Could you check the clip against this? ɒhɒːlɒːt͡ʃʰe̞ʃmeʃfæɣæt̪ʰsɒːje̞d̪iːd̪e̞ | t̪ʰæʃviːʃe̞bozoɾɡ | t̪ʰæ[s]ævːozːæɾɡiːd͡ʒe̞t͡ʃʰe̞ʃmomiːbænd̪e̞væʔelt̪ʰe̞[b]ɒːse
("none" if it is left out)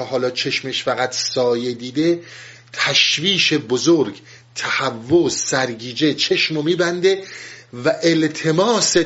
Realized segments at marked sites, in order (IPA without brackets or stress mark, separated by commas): h, m